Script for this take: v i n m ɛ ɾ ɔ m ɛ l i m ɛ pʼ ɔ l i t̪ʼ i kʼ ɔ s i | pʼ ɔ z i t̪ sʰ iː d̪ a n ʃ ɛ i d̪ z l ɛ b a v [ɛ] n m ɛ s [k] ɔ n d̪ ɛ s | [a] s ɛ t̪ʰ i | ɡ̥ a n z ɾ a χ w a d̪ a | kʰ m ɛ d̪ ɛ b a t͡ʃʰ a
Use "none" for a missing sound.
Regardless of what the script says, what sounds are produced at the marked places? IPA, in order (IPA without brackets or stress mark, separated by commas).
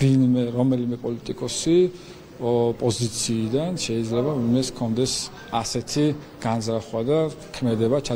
i, kʰ, a